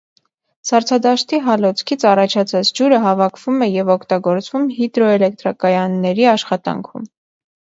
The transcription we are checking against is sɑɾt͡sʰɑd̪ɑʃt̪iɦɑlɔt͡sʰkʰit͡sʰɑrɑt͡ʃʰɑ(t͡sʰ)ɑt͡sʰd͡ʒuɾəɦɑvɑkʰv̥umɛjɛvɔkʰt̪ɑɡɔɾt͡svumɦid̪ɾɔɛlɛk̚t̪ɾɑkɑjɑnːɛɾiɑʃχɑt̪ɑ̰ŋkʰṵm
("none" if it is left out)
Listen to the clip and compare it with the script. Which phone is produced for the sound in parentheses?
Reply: t͡sʰ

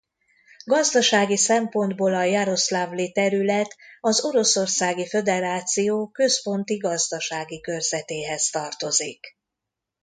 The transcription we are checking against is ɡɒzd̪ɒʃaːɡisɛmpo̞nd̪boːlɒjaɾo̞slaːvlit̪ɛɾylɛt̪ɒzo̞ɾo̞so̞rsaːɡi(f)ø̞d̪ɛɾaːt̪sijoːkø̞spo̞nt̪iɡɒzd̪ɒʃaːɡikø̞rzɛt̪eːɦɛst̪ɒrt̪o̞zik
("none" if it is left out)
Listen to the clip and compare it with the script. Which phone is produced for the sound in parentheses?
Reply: f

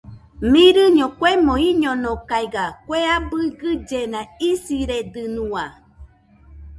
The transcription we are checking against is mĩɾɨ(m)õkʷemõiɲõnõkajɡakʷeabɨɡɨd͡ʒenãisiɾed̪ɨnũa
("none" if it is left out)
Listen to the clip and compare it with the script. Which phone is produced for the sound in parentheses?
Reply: ɲ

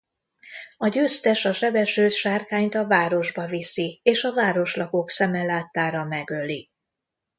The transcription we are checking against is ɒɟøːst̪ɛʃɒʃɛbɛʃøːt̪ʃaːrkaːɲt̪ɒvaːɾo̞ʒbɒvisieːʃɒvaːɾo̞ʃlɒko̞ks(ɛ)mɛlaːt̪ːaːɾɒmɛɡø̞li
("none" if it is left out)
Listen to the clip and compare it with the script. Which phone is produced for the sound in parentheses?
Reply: ɛ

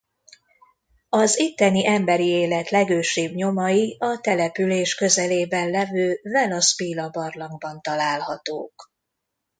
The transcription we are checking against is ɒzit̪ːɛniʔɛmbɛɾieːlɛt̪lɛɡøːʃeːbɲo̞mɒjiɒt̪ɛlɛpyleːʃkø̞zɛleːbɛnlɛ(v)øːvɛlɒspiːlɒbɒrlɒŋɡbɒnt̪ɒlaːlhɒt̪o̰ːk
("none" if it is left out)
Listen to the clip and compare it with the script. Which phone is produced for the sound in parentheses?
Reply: v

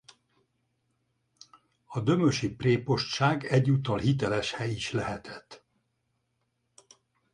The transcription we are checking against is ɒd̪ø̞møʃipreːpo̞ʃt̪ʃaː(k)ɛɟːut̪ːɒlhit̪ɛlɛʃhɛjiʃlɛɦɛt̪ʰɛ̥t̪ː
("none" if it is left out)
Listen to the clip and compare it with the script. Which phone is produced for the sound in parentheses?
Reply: ɡ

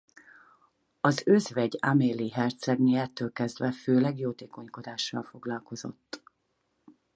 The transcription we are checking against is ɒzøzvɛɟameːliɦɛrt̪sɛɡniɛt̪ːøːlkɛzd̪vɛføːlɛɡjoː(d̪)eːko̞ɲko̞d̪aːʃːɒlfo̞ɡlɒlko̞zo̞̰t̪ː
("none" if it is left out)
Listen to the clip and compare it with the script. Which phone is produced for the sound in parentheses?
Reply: t̪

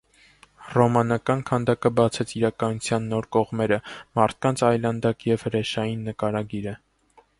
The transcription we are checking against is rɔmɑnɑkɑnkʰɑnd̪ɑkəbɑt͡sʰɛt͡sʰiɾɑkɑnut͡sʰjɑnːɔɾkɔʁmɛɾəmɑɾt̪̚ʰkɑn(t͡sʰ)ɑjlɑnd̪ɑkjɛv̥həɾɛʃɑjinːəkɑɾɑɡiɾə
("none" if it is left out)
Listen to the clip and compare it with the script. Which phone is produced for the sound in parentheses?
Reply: t͡sʰ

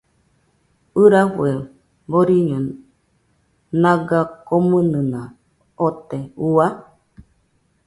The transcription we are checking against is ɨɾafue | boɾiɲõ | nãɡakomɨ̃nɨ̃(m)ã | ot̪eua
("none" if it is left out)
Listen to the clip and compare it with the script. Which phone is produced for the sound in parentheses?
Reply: n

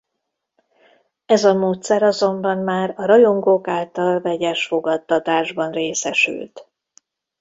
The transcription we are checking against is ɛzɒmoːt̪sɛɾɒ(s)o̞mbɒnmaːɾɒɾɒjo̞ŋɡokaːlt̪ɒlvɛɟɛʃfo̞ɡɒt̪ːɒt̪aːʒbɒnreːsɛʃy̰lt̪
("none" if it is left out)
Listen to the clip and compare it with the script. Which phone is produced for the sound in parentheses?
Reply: z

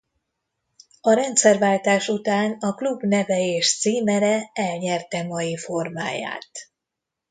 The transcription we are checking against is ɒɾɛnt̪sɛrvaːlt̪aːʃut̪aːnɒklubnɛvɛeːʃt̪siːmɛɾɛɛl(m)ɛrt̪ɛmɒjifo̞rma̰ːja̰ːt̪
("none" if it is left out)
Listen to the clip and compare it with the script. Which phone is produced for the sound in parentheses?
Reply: ɲ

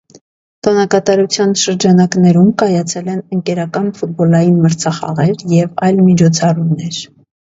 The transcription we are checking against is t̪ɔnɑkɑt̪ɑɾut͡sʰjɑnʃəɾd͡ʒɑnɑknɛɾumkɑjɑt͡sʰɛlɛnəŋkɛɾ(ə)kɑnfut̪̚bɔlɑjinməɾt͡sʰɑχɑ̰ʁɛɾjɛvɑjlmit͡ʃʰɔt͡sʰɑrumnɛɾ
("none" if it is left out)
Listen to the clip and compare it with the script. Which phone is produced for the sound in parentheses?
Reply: ɑ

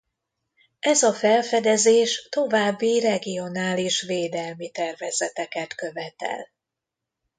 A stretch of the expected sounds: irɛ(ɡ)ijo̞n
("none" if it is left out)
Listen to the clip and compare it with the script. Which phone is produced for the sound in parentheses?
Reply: ɡ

